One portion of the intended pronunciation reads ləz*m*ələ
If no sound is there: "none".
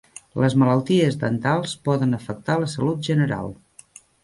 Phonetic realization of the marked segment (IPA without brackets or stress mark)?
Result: m